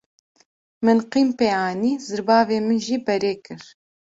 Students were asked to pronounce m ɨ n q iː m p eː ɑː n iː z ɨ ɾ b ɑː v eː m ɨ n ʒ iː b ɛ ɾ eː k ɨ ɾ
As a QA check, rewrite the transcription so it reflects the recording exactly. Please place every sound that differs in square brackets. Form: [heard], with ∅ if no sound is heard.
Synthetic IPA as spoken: m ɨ n q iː m p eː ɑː n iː z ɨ ɾ b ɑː v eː m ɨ n ʒ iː b ɛ ɾ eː k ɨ ɾ